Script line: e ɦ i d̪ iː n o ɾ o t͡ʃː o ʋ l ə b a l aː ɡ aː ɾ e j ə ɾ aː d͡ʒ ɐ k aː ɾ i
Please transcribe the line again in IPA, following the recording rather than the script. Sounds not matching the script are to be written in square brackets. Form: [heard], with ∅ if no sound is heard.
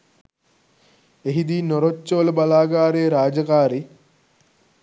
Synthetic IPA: e ɦ i d̪ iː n o ɾ o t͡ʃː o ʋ l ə b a l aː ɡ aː ɾ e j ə ɾ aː d͡ʒ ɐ k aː ɾ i

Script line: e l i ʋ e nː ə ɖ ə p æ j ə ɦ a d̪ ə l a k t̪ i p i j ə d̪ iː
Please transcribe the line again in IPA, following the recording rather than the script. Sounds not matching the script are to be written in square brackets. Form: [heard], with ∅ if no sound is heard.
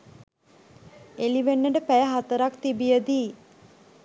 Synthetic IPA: e l i ʋ e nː ə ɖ ə p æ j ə ɦ a [t̪] ə [ɾ] a k t̪ i [b] i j ə d̪ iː

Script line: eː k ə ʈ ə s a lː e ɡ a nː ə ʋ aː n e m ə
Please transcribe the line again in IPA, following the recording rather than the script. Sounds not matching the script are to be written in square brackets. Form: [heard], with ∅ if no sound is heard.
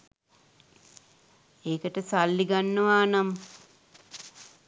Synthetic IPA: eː k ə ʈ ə s a lː [i] ɡ a nː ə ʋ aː n [a] m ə

